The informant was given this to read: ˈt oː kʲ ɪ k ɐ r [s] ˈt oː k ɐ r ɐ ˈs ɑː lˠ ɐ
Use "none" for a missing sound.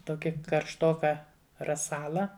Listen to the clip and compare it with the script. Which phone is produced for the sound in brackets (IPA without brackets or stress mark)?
ʃ